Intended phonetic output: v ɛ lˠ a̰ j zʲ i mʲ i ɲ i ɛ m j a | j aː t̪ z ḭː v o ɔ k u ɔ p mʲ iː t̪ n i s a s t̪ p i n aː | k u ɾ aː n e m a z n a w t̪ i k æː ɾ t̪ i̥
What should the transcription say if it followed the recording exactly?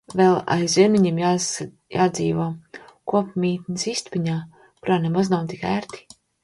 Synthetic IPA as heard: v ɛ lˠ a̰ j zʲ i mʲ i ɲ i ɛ m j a | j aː d̪ z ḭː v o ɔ k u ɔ p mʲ iː t̪ n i s i s t̪ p i ɲ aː | k u ɾ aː n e m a z n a w t̪ i k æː ɾ t̪ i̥